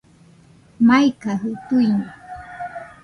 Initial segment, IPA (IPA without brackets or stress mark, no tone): m